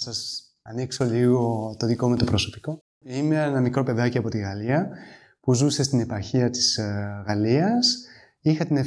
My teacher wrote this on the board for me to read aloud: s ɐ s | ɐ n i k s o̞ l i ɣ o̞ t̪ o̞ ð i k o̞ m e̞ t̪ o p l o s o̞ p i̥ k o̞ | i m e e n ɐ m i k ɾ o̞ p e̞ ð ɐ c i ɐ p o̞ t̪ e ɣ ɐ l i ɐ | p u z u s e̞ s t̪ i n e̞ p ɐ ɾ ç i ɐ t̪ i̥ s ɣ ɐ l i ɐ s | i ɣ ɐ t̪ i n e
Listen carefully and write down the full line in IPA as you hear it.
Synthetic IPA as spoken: s ɐ s | ɐ n i k s o̞ l i ɣ o̞ t̪ o̞ ð i k o̞ m e̞ t̪ o p ɾ o s o̞ p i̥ k o̞ | i m e e n ɐ m i k ɾ o̞ p e̞ ð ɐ c i ɐ p o̞ t̪ i ɣ ɐ l i ɐ | p u z u s e̞ s t̪ i n e̞ p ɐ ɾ ç i ɐ t̪ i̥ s ɣ ɐ l i ɐ s | i x ɐ t̪ i n e